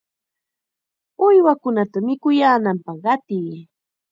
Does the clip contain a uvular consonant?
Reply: yes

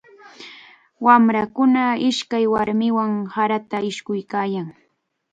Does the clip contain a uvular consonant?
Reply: no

